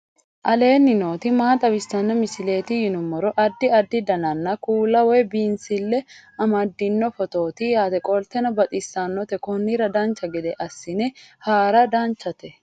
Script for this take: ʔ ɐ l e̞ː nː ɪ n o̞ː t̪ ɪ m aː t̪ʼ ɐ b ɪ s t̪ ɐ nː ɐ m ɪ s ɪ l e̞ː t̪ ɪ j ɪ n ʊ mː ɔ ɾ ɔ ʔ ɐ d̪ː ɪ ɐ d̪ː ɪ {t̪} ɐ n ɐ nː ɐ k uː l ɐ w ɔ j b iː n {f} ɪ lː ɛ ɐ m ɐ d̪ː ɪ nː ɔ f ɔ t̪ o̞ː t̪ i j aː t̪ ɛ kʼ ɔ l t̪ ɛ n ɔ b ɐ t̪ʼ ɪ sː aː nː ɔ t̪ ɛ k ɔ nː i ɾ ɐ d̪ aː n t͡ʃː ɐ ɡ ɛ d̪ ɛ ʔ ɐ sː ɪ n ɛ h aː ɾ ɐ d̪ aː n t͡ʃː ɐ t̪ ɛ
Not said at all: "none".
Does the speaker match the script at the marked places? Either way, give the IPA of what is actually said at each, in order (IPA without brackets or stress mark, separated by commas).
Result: d̪, s